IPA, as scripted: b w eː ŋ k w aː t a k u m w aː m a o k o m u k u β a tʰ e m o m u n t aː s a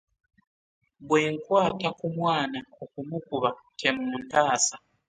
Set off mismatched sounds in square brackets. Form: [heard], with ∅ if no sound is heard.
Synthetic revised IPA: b w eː ŋ k w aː t a k u m w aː [n] a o k [u] m u k u β a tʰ e m [u] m u n t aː s a